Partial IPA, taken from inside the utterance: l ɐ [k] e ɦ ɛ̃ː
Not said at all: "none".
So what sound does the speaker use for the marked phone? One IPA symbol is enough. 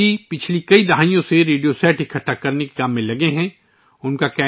ɡ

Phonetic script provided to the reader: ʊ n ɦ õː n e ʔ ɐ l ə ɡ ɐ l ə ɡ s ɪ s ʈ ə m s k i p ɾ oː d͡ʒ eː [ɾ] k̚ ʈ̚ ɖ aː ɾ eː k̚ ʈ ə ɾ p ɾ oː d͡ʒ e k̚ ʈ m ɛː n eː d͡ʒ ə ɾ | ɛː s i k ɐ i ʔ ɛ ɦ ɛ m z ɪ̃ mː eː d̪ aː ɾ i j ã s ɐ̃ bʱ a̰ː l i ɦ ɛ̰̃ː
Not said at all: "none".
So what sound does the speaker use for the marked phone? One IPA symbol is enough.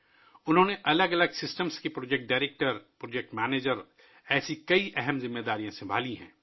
none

